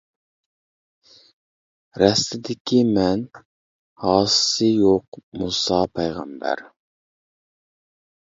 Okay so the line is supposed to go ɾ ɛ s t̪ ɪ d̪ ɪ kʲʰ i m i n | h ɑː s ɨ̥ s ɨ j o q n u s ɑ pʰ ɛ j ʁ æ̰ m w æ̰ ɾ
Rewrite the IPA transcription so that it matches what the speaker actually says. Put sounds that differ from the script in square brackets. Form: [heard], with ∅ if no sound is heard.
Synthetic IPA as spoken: ɾ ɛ s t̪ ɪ d̪ ɪ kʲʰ i m [ɛ] n | h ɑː s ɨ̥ s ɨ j o q [m] u s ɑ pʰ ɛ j ʁ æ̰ m [b] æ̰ ɾ